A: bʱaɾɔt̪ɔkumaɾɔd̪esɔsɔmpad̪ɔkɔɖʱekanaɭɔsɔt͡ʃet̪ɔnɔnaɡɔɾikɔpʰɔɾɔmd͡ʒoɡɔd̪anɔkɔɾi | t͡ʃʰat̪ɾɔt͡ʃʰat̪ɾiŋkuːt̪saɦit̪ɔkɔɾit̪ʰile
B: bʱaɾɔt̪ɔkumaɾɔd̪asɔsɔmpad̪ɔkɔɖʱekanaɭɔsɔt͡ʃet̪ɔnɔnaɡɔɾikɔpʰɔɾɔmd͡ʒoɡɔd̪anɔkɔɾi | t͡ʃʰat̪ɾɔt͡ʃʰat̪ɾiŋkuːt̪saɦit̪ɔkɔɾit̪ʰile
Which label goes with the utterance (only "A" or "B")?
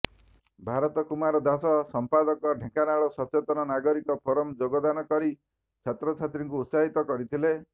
B